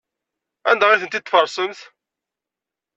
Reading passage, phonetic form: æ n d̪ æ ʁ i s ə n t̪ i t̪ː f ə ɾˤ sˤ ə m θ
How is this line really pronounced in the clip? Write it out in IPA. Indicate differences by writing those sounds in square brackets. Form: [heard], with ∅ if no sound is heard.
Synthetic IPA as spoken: æ n d̪ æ ʁ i [θ] ə n t̪ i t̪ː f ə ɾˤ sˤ ə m θ